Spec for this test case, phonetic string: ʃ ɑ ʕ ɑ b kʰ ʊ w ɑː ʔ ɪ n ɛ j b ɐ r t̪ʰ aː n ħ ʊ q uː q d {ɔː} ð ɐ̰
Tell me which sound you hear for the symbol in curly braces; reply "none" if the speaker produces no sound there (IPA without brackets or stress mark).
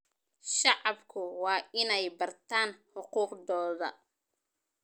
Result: ɔː